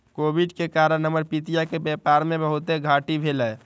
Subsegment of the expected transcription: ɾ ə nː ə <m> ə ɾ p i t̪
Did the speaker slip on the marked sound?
no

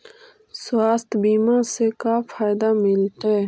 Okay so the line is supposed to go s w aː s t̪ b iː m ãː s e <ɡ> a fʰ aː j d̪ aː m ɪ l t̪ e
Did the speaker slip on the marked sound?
yes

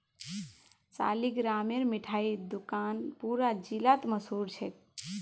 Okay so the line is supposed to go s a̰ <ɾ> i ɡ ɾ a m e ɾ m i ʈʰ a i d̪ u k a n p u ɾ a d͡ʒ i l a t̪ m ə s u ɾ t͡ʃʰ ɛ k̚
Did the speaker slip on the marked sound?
yes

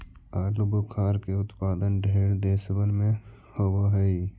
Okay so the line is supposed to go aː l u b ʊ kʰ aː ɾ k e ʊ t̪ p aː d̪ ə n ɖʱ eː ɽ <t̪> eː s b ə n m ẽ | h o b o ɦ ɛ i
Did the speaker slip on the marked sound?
yes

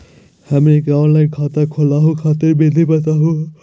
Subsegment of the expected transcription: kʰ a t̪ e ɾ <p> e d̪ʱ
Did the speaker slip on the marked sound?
yes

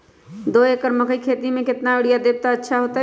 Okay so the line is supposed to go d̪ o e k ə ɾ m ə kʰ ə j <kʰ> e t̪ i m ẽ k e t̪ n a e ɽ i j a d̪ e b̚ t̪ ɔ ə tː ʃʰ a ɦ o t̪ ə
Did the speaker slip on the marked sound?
no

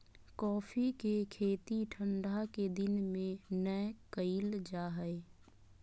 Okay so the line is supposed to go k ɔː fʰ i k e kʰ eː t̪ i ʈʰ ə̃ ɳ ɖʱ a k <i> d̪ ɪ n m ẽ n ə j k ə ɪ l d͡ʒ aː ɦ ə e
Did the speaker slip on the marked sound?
yes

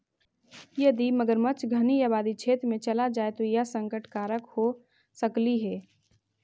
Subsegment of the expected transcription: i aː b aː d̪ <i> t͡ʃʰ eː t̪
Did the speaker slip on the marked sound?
no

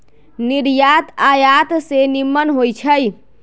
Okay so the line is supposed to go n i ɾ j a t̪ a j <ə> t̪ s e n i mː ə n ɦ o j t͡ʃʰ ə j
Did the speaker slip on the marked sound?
yes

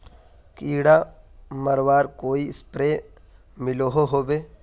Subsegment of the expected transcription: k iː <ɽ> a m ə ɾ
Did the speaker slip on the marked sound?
no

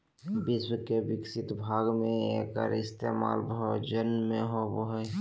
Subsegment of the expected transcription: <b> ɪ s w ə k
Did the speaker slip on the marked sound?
no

